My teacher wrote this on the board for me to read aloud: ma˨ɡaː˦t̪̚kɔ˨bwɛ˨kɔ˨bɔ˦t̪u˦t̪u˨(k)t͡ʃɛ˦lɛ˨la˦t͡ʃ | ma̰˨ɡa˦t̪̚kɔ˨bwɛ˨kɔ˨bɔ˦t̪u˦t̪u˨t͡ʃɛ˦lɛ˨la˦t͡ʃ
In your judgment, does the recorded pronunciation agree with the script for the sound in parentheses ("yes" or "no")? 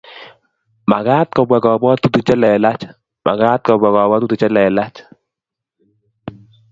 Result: no